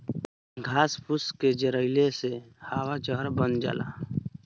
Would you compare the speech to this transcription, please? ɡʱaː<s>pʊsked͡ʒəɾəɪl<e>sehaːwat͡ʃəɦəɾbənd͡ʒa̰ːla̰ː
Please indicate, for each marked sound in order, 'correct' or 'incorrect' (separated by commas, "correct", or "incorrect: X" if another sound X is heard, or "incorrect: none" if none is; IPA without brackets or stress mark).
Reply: correct, correct